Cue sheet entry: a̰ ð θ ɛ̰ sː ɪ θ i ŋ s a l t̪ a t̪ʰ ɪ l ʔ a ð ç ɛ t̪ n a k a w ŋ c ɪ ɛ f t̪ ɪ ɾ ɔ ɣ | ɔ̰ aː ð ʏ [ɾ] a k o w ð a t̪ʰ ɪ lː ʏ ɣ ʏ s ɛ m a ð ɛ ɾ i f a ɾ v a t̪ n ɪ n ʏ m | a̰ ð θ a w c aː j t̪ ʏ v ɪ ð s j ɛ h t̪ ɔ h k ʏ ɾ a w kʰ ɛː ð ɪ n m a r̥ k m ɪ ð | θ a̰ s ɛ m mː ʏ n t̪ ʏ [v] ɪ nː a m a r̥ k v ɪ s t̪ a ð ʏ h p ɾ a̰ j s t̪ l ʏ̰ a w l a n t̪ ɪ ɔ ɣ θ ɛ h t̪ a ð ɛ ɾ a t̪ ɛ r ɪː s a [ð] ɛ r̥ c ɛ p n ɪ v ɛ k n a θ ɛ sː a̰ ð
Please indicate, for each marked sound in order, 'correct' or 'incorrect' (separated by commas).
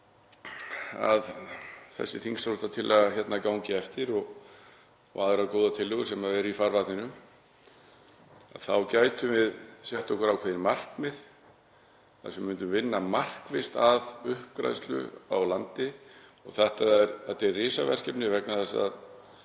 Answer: correct, correct, incorrect